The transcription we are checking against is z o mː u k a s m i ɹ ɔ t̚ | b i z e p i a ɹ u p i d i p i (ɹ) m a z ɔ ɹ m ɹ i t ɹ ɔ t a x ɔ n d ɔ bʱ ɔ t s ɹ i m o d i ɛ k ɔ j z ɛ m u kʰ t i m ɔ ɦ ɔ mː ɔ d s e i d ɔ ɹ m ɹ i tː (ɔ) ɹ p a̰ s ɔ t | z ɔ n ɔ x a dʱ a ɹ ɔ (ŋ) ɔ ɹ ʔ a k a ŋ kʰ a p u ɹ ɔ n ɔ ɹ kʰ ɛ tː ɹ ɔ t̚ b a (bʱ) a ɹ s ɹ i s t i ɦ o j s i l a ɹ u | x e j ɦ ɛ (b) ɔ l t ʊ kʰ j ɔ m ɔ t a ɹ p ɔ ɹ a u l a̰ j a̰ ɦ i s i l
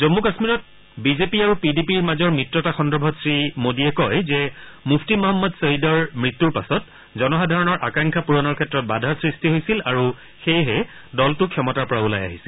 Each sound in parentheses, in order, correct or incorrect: correct, incorrect, incorrect, incorrect, incorrect

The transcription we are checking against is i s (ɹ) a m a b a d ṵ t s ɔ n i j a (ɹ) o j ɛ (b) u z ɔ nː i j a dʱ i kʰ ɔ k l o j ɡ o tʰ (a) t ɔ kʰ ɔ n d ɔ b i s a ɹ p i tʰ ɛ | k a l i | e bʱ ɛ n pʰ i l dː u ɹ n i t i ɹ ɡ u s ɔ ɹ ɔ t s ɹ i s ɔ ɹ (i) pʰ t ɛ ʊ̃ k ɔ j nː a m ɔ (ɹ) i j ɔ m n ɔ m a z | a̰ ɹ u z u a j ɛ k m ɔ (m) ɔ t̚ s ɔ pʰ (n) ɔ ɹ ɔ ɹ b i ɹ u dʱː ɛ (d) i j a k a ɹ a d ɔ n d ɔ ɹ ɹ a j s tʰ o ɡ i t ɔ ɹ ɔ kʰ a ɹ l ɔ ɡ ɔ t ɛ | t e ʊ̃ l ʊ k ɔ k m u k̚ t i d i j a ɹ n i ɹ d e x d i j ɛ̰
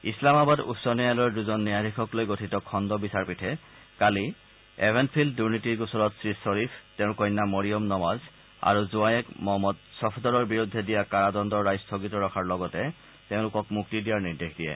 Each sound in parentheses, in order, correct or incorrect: incorrect, incorrect, incorrect, incorrect, correct, correct, correct, incorrect, correct

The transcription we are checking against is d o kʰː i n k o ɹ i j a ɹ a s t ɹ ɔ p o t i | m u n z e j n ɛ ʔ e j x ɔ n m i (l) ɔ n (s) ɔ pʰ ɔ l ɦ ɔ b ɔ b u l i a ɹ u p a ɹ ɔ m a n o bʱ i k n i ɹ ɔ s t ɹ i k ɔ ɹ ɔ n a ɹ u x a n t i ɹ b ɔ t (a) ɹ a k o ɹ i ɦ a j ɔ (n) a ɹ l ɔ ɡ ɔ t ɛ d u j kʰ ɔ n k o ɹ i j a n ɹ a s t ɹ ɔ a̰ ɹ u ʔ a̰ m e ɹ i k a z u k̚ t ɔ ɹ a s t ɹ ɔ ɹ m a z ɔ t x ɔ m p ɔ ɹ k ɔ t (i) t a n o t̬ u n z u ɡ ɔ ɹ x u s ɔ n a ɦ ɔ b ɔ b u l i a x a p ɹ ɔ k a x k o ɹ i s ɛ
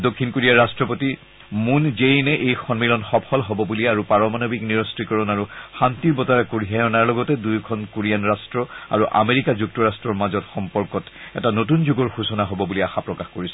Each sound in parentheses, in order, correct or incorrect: correct, incorrect, correct, correct, incorrect

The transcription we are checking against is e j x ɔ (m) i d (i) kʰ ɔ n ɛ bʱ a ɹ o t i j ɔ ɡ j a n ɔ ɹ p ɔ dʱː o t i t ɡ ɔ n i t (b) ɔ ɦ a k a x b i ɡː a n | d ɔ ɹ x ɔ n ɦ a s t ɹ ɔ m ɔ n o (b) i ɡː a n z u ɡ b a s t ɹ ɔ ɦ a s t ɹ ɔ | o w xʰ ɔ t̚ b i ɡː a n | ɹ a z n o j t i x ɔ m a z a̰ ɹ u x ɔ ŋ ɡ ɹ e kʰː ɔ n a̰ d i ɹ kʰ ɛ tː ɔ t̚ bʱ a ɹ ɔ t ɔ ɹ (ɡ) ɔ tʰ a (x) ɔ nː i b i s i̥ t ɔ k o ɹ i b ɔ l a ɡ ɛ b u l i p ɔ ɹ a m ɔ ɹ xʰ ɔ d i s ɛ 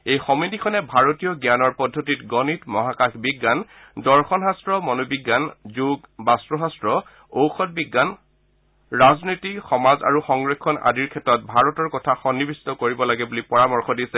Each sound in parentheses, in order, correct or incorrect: correct, correct, incorrect, correct, incorrect, correct

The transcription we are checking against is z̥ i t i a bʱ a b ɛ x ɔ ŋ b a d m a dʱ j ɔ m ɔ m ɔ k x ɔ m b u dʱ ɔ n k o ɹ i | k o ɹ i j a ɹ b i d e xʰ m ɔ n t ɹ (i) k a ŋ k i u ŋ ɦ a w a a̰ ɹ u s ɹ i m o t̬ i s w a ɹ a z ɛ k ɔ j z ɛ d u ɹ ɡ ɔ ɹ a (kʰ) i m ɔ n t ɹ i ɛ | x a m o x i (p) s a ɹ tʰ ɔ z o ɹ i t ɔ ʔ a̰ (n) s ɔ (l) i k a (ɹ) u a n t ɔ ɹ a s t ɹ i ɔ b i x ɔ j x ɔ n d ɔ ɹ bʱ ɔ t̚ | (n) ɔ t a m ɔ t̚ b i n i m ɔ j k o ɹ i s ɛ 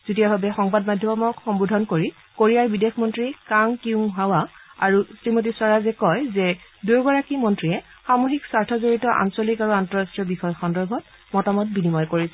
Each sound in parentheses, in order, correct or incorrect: correct, incorrect, incorrect, correct, correct, correct, incorrect

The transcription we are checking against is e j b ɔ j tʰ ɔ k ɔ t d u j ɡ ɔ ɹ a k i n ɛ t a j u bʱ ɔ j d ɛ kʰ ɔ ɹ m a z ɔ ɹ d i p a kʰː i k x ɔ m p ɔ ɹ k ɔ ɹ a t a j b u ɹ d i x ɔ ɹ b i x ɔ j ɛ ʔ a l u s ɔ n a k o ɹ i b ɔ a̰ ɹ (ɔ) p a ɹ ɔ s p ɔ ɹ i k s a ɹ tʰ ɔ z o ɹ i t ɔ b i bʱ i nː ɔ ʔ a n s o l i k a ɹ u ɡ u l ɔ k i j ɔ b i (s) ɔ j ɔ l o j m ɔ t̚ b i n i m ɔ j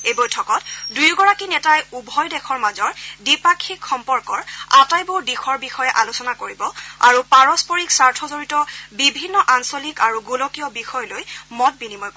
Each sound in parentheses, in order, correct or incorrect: incorrect, incorrect

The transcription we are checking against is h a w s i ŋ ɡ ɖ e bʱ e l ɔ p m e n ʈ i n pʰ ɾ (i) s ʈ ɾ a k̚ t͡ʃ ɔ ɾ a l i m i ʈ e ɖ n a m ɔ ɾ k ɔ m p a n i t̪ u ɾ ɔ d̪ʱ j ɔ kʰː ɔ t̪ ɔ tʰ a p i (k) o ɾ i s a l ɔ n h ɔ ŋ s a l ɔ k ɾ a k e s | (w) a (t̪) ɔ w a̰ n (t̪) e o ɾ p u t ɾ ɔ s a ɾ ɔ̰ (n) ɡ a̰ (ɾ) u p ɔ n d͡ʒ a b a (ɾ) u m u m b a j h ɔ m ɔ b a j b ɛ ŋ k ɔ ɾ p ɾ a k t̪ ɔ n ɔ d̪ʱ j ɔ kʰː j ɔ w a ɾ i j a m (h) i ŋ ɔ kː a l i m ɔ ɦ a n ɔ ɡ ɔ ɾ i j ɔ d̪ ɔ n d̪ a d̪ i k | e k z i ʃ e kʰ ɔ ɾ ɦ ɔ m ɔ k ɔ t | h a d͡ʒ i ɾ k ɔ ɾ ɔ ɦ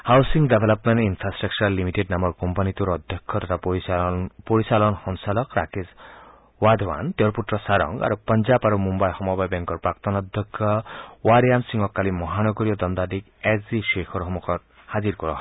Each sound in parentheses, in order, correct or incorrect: incorrect, incorrect, correct, incorrect, correct, incorrect, correct, correct, incorrect

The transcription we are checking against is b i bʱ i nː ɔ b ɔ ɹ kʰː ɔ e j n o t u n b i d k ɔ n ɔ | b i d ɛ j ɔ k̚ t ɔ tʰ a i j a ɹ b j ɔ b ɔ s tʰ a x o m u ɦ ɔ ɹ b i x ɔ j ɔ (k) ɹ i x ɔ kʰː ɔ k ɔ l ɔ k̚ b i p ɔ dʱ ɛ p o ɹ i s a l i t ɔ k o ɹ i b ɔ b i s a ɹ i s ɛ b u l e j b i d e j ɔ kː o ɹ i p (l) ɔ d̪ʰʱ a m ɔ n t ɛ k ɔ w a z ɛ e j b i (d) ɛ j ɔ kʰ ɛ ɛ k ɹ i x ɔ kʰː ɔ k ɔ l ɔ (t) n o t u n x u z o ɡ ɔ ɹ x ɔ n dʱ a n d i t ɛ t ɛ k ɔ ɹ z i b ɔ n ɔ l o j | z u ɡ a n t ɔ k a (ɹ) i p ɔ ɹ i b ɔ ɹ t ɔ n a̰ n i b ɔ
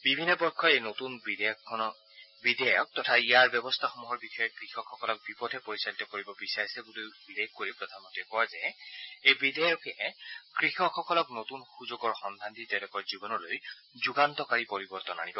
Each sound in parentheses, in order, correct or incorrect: correct, incorrect, correct, incorrect, correct

